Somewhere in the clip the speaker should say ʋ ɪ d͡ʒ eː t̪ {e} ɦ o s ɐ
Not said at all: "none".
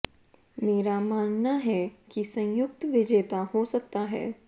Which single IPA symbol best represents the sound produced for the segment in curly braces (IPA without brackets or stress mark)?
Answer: a